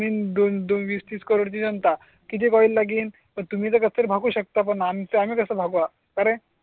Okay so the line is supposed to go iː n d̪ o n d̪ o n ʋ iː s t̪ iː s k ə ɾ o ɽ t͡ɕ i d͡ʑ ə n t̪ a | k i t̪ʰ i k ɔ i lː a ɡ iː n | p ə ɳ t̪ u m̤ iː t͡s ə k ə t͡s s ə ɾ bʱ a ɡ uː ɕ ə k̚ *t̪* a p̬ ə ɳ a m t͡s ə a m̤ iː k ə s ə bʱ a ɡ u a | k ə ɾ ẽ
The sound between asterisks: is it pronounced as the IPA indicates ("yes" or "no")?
yes